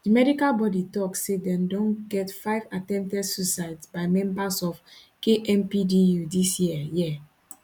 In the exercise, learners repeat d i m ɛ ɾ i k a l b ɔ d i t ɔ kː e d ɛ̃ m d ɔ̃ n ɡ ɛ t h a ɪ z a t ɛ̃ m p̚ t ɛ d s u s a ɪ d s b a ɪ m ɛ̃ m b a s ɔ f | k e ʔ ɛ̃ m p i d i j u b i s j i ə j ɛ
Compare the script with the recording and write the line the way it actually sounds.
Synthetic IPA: d i m ɛ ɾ i k a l b ɔ d i t ɔ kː e d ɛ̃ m d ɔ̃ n ɡ ɛ t f a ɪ v a t ɛ̃ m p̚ t ɛ d s u s a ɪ d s b a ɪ m ɛ̃ m b a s ɔ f | k e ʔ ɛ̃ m p i d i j u d i s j i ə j ɛ